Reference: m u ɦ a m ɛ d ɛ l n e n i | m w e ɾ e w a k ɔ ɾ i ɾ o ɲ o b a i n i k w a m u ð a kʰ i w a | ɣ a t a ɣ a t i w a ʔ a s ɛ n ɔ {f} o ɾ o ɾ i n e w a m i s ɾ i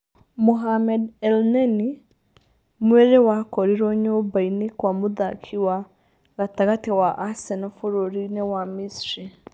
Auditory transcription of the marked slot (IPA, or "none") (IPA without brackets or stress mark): f